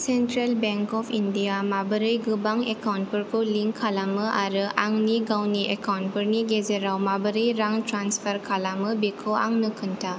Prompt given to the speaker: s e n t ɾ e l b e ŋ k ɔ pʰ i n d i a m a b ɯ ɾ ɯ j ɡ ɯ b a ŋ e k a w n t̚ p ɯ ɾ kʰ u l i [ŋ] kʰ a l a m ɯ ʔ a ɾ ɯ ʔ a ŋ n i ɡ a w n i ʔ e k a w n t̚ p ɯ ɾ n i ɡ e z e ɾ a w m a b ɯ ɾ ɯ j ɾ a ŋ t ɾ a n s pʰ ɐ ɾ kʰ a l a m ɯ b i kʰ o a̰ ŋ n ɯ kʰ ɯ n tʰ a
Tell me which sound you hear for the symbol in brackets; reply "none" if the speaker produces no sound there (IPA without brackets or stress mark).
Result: ŋ